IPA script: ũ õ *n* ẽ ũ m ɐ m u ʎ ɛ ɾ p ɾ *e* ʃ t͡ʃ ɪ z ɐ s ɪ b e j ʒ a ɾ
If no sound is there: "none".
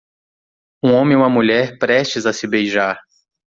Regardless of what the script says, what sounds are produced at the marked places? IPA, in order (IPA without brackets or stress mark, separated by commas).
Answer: m, ɛ